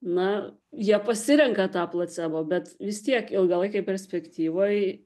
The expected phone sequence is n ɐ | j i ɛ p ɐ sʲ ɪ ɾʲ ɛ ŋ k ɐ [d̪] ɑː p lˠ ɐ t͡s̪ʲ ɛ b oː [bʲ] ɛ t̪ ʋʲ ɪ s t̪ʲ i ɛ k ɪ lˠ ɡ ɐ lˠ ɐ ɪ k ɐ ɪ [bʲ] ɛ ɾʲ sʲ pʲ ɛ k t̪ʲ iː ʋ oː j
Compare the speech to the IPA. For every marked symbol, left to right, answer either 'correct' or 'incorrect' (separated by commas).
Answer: incorrect, correct, incorrect